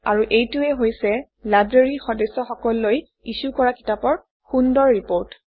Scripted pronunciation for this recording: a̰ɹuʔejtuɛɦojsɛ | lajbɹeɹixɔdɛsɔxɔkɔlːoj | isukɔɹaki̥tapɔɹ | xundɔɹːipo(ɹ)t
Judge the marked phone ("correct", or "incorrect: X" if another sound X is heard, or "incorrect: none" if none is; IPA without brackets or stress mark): correct